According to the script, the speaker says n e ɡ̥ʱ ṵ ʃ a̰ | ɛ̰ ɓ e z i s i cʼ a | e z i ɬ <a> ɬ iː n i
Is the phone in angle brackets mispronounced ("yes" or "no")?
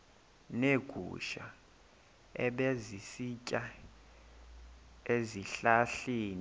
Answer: no